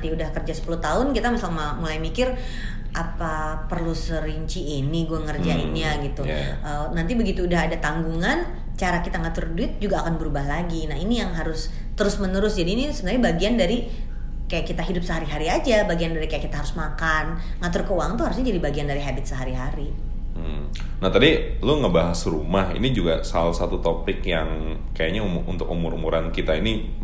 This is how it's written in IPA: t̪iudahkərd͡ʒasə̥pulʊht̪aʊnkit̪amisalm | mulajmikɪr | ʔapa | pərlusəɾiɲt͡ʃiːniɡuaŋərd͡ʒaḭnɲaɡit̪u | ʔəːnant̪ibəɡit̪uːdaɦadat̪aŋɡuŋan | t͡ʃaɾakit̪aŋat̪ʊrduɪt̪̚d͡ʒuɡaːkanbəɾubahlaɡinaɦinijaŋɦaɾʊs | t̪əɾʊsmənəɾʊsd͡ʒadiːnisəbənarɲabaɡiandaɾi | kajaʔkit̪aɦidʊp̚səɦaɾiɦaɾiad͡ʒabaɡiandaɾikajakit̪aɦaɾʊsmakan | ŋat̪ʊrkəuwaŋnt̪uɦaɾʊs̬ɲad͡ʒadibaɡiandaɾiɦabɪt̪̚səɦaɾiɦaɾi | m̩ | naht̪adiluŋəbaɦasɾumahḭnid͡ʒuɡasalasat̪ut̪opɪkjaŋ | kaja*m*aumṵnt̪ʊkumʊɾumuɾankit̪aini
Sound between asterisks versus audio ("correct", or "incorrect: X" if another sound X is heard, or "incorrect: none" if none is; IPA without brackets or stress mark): incorrect: ɲ